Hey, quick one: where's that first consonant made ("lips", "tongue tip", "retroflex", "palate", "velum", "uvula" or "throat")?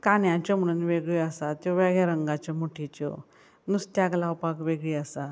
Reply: velum